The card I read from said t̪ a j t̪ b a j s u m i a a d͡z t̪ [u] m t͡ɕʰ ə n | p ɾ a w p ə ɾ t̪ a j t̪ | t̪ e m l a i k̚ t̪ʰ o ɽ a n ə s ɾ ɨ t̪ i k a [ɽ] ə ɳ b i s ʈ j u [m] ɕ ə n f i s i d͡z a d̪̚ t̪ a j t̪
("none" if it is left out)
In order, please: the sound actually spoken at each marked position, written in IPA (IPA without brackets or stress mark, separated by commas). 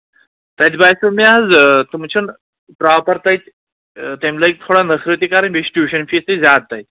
u, ɾ, none